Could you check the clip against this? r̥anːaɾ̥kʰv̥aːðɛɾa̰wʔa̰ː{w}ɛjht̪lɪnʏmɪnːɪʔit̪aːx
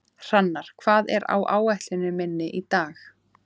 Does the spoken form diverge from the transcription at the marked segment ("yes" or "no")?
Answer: no